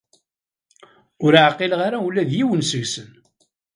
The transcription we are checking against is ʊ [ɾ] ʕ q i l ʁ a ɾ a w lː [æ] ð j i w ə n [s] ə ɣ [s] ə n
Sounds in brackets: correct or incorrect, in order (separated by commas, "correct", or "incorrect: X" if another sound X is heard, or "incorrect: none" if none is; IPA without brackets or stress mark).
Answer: correct, correct, correct, correct